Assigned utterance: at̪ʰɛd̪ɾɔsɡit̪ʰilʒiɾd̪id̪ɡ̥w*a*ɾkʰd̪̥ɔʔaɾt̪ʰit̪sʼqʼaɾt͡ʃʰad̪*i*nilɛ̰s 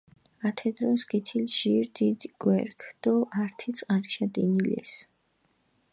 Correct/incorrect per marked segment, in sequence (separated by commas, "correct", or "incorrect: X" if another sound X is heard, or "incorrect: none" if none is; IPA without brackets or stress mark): incorrect: ɛ, correct